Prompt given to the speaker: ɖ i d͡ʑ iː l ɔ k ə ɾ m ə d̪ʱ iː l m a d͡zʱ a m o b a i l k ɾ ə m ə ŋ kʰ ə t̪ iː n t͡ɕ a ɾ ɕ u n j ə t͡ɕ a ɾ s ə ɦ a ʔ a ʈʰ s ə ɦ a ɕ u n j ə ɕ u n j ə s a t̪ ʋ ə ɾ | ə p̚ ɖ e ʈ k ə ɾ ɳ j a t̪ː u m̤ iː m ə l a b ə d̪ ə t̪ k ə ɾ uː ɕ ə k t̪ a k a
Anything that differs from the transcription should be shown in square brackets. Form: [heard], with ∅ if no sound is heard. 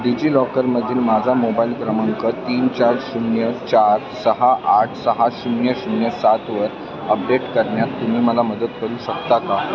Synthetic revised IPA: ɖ i d͡ʑ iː l ɔ k ə ɾ m ə d̪ʱ iː l m a d͡zʱ a m o b a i l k ɾ ə m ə ŋ [k] ə t̪ iː n t͡ɕ a ɾ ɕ u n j ə t͡ɕ a ɾ s ə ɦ a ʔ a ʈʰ s ə ɦ a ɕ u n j ə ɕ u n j ə s a t̪ ʋ ə ɾ | ə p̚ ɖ e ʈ k ə ɾ ɳ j a t̪ː u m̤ iː m ə l a [m] ə d̪ ə t̪ k ə ɾ uː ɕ ə k t̪ a k a